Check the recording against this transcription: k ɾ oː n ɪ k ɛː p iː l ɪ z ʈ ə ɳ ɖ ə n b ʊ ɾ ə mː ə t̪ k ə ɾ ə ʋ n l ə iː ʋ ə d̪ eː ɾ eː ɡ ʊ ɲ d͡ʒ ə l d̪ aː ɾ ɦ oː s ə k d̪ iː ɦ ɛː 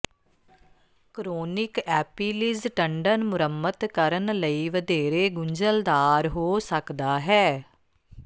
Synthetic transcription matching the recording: k ɾ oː n ɪ k ɛː p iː l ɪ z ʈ ə ɳ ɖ ə n m ʊ ɾ ə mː ə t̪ k ə ɾ ə n l ə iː ʋ ə d̪ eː ɾ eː ɡ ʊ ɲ d͡ʒ ə l d̪ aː ɾ ɦ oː s ə k d̪ aː ɦ ɛː